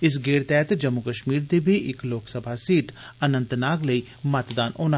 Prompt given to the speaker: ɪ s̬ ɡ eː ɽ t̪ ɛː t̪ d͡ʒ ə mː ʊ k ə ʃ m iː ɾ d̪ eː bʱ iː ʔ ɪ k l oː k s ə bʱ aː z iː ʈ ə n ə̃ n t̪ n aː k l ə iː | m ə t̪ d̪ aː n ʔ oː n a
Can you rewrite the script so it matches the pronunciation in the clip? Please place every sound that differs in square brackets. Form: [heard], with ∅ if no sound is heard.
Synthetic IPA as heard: ɪ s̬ ɡ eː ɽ t̪ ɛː t̪ d͡ʒ ə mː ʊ k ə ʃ m iː ɾ d̪ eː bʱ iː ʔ ɪ k l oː k s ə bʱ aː [s] iː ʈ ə n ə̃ n t̪ n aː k l ə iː | m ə t̪ d̪ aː n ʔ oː n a